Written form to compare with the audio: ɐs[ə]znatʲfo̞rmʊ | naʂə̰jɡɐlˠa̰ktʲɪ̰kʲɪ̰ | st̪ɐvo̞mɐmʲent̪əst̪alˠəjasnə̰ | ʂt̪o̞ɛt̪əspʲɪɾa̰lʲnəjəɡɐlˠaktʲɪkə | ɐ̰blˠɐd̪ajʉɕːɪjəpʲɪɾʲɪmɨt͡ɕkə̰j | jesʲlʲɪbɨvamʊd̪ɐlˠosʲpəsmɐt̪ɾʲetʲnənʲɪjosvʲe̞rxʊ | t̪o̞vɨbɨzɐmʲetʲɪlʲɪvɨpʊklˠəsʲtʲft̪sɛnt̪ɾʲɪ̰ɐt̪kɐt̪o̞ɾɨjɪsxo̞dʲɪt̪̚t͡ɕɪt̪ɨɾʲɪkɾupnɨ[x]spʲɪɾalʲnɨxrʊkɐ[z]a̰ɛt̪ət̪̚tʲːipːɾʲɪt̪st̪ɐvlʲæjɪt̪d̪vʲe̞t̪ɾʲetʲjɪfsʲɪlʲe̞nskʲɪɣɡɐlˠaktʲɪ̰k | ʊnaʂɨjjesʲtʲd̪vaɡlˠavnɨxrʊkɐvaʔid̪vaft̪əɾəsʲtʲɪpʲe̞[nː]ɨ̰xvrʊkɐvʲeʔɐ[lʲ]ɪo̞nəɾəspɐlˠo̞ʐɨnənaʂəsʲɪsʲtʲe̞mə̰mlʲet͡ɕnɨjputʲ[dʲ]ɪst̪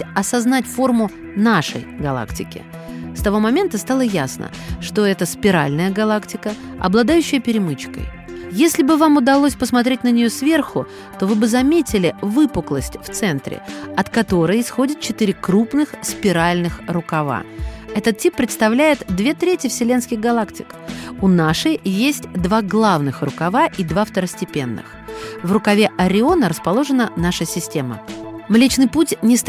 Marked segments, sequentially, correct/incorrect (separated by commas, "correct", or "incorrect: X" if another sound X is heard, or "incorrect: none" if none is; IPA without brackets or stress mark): incorrect: ɐ, correct, incorrect: v, correct, incorrect: ɾʲ, incorrect: nʲ